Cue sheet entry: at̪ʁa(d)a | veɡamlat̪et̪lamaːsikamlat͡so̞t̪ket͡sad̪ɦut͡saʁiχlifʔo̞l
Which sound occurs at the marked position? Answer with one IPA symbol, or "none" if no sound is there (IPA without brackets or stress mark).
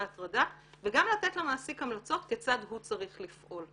d